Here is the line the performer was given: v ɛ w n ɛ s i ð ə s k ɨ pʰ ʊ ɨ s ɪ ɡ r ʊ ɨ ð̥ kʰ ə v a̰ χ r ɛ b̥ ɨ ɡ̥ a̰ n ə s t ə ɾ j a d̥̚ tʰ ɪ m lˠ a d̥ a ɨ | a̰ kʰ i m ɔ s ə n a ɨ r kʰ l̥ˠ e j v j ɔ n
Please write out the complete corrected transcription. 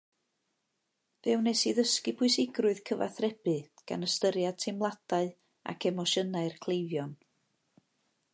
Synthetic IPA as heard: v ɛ w n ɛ s i ð ə s k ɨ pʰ ʊ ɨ s ɪ ɡ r ʊ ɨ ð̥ kʰ ə v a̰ θ r ɛ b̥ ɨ ɡ̥ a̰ n ə s t ə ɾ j a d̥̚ tʰ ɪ m lˠ a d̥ a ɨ | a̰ kʰ ɛ m ɔ ʃ ə n a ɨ r kʰ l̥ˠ e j v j ɔ n